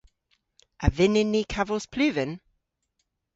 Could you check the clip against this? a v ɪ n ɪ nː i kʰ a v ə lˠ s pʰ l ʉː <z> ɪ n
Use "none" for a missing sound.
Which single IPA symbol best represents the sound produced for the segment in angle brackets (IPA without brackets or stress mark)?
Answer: v